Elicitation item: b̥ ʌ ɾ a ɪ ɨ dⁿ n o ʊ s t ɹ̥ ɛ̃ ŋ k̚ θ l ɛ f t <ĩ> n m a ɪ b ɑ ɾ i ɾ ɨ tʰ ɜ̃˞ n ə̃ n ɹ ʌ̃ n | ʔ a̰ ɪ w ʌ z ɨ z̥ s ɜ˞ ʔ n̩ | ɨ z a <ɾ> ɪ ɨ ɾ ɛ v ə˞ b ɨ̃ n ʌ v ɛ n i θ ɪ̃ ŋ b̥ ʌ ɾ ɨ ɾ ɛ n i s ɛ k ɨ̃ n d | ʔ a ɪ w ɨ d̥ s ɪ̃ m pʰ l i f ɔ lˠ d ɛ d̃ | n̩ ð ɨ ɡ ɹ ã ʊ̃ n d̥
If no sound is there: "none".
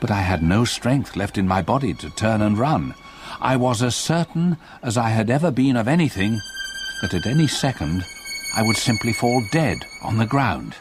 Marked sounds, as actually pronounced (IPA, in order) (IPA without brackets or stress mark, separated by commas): ɨ̃, none